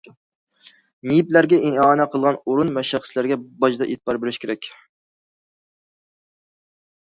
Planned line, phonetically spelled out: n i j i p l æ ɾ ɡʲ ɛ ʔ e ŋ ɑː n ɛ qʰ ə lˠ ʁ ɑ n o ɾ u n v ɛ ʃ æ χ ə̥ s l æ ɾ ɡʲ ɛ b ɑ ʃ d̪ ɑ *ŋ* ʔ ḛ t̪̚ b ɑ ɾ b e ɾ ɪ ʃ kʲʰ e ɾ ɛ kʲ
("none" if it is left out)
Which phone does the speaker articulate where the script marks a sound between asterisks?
none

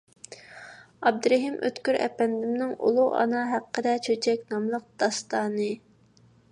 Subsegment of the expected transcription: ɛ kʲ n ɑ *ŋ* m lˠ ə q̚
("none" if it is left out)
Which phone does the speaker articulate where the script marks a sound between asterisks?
none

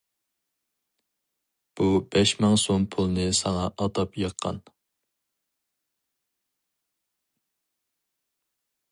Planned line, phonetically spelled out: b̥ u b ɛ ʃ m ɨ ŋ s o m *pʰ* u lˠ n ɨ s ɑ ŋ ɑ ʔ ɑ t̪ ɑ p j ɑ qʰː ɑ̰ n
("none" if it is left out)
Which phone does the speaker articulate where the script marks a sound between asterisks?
pʰ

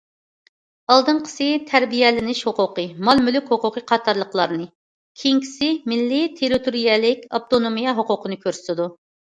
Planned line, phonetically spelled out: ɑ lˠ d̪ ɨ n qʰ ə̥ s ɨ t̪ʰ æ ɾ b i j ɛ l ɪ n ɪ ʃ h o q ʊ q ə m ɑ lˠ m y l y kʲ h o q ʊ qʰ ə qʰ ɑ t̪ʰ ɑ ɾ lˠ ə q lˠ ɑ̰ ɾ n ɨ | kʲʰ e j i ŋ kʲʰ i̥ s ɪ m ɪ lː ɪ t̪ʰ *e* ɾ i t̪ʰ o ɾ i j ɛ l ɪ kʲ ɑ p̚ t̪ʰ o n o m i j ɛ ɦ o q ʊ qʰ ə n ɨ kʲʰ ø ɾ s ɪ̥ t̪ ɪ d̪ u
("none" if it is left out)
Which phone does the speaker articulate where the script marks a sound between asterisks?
e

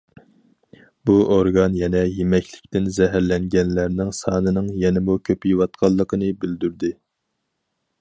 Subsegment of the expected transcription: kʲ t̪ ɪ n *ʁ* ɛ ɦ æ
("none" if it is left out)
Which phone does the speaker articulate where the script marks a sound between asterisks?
z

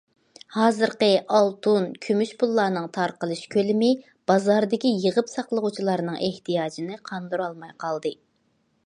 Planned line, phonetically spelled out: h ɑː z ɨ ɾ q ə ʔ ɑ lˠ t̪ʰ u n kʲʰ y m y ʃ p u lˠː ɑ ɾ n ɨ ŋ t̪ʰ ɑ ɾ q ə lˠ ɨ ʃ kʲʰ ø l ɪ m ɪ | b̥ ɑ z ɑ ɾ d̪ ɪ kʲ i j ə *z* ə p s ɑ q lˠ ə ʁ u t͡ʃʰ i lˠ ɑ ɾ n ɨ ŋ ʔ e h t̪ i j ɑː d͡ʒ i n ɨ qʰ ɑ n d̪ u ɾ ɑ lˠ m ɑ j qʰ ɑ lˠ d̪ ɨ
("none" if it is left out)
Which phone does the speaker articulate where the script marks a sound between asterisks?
ʁ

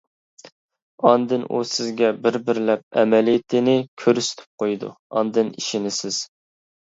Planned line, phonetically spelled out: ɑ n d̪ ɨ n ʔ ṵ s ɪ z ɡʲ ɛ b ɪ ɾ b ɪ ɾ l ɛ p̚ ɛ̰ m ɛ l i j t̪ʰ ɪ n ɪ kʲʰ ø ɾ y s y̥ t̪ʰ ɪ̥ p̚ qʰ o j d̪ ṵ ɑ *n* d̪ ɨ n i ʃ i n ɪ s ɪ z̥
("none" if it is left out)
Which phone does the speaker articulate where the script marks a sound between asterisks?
n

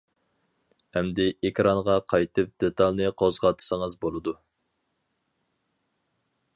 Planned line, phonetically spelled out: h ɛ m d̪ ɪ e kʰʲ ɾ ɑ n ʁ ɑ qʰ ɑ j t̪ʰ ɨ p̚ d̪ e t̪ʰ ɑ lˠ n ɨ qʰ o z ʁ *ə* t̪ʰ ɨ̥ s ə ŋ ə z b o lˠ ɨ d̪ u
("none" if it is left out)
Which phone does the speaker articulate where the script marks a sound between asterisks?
ɑ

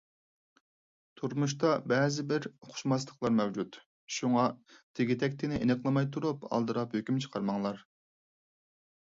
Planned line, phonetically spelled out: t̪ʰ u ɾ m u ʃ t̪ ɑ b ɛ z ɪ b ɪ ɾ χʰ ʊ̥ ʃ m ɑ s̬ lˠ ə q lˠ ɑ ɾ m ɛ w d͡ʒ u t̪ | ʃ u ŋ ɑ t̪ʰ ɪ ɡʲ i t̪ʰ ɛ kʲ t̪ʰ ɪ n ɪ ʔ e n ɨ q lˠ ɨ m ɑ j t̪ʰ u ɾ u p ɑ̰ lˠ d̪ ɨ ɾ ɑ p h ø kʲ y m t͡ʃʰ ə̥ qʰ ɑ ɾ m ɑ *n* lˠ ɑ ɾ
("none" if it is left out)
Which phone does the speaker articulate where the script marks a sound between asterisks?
ŋ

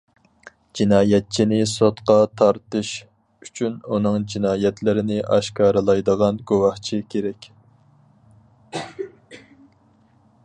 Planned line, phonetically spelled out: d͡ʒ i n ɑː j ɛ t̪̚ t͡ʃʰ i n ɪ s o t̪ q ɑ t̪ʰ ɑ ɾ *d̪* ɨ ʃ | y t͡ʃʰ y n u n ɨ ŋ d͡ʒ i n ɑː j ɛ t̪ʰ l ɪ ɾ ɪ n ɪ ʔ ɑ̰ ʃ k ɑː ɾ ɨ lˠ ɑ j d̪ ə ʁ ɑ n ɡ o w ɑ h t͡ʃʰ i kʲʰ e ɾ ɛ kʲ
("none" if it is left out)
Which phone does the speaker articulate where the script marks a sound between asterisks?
t̪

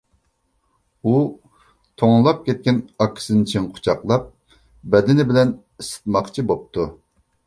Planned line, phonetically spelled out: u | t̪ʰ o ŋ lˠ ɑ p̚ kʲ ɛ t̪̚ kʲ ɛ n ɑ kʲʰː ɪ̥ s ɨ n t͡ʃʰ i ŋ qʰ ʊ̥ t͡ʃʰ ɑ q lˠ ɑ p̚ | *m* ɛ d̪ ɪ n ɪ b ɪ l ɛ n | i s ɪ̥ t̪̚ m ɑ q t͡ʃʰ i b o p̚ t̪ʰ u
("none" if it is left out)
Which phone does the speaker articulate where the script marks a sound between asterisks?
b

